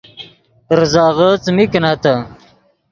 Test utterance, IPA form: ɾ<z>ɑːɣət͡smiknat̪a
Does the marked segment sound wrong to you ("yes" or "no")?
no